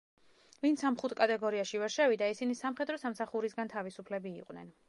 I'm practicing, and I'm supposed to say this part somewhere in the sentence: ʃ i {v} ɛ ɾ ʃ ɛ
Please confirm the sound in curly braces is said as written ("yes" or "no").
yes